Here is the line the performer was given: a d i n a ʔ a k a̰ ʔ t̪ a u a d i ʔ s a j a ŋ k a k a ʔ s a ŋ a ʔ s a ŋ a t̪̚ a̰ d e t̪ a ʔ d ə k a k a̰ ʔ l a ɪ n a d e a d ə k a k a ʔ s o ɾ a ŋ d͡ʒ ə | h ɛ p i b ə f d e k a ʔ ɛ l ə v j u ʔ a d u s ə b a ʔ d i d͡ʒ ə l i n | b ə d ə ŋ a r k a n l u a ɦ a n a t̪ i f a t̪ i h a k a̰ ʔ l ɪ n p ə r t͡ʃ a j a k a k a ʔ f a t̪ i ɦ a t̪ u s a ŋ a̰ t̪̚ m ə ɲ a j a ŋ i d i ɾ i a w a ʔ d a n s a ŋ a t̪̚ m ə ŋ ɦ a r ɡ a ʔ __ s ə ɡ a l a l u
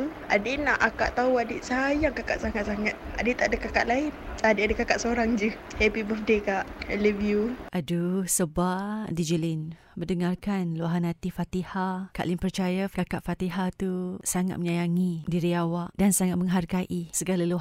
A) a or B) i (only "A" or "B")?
B